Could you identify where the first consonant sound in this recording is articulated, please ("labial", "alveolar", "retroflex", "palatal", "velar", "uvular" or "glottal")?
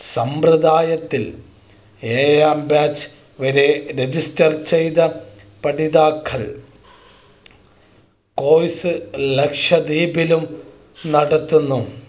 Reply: alveolar